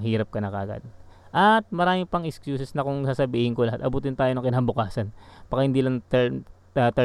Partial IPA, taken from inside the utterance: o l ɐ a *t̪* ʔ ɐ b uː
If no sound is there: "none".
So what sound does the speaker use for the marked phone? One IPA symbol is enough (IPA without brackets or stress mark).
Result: t̪